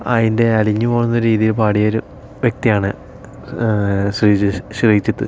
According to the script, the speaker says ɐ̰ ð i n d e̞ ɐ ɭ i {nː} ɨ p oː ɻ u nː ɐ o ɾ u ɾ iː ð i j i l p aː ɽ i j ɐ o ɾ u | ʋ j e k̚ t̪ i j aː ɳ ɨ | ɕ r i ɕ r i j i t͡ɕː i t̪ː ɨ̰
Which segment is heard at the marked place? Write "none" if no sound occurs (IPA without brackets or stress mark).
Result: ɲː